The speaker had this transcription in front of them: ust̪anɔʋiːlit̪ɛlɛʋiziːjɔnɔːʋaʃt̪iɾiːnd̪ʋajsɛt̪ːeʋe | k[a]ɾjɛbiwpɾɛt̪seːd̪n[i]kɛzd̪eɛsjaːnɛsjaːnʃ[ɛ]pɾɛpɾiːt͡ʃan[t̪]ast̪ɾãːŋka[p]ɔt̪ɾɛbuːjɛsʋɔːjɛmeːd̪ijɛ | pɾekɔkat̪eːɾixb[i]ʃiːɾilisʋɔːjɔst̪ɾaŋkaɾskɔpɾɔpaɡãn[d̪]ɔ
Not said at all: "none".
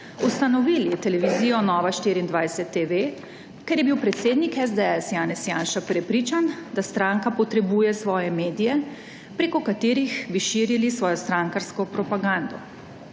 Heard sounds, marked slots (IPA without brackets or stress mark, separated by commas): ɛ, i, a, d̪, p, i, d̪